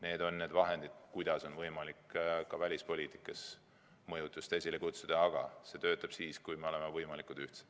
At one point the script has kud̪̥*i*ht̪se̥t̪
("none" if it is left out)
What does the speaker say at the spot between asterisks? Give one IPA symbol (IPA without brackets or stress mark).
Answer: y